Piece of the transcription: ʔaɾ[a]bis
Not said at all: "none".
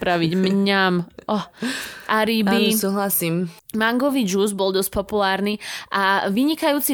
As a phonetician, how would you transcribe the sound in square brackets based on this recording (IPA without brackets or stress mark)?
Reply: i